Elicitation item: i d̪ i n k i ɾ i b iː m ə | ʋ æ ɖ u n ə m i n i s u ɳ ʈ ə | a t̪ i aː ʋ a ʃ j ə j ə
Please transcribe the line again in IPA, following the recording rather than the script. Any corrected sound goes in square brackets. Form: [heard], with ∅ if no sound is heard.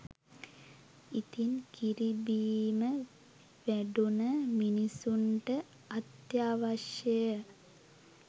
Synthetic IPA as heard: i [t̪] i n k i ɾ i b iː m ə | ʋ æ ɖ u n ə m i n i s u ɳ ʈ ə | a t̪ [j] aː ʋ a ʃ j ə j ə